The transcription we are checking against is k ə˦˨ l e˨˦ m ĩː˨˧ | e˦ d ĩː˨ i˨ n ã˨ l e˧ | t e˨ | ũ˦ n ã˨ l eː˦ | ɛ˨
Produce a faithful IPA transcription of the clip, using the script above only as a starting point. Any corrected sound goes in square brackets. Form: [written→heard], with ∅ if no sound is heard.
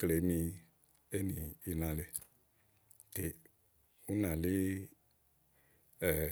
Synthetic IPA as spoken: k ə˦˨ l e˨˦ m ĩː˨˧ | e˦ [d→n] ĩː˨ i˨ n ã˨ l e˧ | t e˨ | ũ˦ n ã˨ l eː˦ | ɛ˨